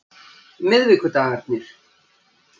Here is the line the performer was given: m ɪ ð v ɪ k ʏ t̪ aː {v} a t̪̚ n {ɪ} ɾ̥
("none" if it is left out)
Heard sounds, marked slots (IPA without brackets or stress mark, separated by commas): ɣ, ɪ